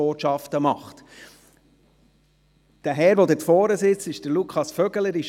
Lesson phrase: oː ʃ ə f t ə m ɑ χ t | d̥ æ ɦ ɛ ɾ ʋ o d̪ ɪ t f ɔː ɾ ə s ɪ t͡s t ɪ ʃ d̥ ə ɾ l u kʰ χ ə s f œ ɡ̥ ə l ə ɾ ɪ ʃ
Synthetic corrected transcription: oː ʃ ɑ f t ə m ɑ χ t | d̥ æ ɦ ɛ ɾ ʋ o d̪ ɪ t f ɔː ɾ ə s ɪ t͡s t ɪ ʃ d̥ ə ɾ l u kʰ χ ɑ s f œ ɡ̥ ə l ə ɾ ɪ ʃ